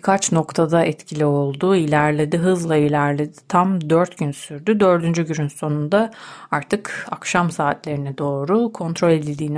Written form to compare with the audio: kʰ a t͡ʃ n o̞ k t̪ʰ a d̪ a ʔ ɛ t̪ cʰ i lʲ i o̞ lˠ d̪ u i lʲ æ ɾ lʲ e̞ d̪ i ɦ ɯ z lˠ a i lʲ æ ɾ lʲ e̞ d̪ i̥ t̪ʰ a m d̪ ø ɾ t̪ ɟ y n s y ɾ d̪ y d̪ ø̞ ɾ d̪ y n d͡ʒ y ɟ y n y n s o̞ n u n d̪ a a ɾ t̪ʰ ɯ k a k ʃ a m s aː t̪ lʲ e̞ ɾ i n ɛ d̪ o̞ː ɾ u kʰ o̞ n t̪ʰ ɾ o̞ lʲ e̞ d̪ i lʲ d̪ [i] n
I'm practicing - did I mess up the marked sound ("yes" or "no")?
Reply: yes